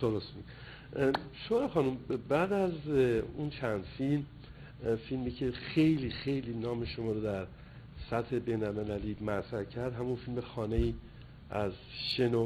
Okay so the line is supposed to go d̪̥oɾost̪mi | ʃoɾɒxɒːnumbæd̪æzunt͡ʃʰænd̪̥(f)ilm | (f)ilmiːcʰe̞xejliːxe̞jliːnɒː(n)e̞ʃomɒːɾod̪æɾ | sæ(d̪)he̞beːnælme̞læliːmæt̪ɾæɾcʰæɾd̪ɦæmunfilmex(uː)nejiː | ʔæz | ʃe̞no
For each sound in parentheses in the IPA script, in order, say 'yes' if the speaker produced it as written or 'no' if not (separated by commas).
yes, yes, no, no, no